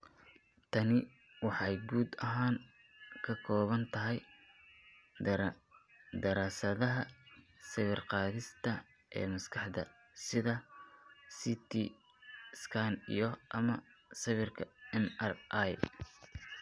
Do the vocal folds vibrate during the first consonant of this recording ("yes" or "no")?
no